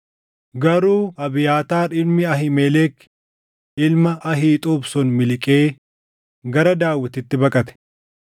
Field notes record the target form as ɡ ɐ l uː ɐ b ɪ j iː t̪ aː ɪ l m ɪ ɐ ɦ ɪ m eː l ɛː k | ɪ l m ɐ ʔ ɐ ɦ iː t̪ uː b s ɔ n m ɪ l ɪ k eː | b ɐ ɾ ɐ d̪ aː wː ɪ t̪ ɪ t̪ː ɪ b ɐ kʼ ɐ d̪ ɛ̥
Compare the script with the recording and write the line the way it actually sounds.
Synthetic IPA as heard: ɡ ɐ ɾ uː ɐ b ɪ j aː t̪ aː ɪ l m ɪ ɐ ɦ ɪ m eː l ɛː k | ɪ l m ɐ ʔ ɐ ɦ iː t̪ʼ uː b s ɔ n m ɪ l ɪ kʼ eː | ɡ ɐ ɾ ɐ d̪ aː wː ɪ t̪ ɪ t̪ː ɪ b ɐ kʼ ɐ t̪ ɛ̥

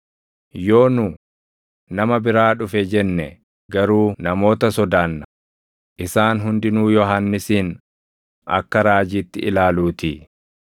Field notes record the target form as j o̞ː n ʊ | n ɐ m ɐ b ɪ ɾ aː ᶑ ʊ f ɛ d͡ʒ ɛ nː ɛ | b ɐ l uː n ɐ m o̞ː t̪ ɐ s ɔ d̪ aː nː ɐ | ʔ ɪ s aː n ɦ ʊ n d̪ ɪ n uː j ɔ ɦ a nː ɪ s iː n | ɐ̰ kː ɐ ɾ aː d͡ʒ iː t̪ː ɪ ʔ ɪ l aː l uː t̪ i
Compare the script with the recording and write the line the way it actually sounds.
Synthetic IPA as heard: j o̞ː n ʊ | n ɐ m ɐ b ɪ ɾ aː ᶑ ʊ f ɛ d͡ʒ ɛ nː ɛ | ɡ ɐ ɾ uː n ɐ m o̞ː t̪ ɐ s ɔ d̪ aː nː ɐ | ʔ ɪ s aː n ɦ ʊ n d̪ ɪ n uː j ɔ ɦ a nː ɪ s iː n | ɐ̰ kː ɐ ɾ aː d͡ʒ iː t̪ː ɪ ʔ ɪ l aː l uː t̪ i

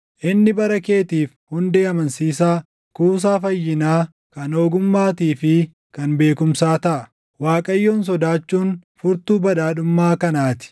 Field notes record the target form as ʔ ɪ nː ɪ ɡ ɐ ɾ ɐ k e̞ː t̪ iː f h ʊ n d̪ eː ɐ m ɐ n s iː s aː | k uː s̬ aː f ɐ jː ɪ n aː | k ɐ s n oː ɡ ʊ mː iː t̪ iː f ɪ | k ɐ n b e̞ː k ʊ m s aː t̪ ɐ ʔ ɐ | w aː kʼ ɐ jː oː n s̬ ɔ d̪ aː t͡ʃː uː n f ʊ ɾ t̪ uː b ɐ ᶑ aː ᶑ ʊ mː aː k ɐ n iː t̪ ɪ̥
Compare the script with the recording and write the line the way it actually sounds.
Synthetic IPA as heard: ʔ ɪ nː ɪ b ɐ ɾ ɐ k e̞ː t̪ iː f h ʊ n d̪ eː ɐ m ɐ n s iː s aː | k uː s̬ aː f ɐ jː ɪ n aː | k ɐ n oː ɡ ʊ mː aː t̪ iː f ɪ | k ɐ n b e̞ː k ʊ m s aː t̪ ɐ ʔ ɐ | w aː kʼ ɐ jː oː n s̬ ɔ d̪ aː t͡ʃː uː n f ʊ ɾ t̪ uː b ɐ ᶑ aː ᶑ ʊ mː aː k ɐ n aː t̪ ɪ̥

